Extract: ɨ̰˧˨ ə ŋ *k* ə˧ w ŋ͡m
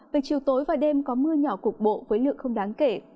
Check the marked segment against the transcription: incorrect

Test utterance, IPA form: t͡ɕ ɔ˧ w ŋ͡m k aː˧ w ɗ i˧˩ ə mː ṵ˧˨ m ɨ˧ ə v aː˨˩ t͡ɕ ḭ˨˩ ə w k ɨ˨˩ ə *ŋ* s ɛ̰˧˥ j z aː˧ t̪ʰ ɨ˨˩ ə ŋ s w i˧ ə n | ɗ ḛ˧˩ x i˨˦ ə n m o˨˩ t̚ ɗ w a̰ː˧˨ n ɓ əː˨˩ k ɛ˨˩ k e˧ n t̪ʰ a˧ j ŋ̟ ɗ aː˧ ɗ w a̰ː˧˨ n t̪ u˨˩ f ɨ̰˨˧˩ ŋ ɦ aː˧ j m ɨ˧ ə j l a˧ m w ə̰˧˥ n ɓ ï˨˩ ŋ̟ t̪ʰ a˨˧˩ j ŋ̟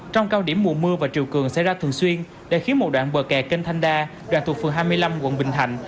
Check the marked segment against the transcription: correct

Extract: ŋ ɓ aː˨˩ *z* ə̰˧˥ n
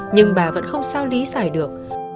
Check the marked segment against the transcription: incorrect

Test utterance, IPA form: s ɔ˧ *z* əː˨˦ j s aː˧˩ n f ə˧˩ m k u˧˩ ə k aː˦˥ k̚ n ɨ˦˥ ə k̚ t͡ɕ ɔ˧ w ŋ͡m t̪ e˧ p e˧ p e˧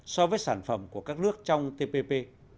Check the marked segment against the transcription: incorrect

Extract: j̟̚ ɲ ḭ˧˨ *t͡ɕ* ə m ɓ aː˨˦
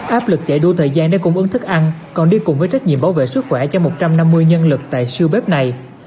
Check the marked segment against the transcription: incorrect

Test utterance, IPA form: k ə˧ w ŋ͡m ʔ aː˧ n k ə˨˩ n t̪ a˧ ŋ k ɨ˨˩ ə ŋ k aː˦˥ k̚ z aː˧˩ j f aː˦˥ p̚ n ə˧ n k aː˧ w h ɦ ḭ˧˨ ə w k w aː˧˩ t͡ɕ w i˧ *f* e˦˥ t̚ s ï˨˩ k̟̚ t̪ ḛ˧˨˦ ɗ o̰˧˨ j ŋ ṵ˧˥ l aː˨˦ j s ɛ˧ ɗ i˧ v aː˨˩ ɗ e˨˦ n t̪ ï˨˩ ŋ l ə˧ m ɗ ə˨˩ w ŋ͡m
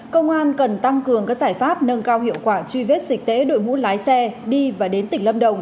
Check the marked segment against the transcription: incorrect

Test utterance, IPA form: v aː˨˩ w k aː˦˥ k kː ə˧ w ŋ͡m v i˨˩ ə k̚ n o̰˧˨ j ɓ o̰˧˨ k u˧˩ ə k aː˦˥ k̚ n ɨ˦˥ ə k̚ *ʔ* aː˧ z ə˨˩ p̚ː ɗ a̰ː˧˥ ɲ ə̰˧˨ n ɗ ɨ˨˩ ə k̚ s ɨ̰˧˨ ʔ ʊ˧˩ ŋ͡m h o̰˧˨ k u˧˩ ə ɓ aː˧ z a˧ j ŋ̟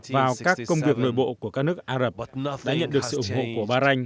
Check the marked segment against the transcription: correct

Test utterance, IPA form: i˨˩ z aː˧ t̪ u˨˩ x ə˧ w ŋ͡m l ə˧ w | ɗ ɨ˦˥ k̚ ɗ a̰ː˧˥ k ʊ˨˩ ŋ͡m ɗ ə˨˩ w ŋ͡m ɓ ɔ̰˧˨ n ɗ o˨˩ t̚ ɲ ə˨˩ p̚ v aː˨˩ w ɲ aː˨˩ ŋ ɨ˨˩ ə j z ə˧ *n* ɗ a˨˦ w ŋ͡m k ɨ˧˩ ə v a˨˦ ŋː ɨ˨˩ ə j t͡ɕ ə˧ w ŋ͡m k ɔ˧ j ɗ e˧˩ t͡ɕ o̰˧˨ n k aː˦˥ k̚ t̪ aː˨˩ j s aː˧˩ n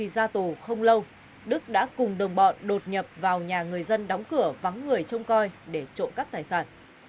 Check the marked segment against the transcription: correct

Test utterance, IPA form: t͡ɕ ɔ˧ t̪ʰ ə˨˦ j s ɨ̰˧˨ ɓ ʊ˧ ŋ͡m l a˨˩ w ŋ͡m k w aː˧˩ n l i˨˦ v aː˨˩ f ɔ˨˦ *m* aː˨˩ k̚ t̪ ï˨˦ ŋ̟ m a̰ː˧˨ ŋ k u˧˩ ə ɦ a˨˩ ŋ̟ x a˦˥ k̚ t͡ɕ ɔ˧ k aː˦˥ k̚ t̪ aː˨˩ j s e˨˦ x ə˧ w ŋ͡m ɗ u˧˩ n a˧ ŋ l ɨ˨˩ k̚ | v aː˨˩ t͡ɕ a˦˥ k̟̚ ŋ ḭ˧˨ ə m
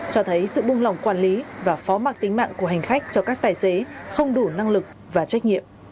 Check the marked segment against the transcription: correct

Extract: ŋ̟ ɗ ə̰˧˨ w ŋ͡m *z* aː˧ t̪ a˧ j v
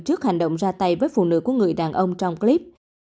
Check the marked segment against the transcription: correct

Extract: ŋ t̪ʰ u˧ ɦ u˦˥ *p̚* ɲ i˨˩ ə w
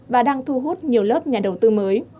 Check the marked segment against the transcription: incorrect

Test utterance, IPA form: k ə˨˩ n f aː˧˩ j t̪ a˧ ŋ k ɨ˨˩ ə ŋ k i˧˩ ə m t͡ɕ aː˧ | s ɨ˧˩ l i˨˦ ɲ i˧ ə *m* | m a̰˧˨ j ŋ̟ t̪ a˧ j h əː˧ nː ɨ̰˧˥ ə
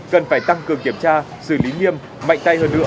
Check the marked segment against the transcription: correct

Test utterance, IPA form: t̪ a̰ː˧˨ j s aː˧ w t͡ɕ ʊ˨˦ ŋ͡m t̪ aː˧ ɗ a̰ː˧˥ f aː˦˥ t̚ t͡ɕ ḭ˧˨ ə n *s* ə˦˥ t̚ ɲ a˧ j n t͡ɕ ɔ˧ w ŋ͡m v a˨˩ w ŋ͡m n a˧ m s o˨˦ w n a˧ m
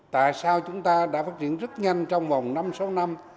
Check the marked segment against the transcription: incorrect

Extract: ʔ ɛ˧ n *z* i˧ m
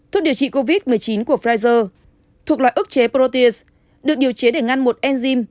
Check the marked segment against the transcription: correct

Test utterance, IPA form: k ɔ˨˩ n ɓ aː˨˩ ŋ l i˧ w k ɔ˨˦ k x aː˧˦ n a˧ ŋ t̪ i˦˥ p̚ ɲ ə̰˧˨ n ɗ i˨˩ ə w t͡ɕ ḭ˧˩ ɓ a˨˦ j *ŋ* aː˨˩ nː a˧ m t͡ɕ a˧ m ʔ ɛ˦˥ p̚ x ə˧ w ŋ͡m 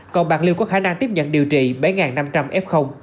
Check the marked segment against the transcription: correct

